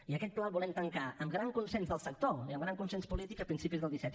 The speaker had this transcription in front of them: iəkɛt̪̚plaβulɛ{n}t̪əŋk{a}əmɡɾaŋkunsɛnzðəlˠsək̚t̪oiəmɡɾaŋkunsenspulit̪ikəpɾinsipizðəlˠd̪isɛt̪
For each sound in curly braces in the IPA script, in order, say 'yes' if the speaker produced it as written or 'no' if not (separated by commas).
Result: no, yes